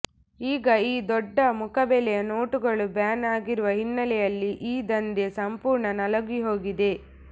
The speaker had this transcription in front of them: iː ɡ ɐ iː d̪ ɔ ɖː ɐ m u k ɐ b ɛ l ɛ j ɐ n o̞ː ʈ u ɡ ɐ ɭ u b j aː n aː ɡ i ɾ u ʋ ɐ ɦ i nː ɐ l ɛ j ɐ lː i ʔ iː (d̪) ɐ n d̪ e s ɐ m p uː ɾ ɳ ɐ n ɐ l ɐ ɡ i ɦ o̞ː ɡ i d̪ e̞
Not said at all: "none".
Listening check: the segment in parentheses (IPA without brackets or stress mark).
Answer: d̪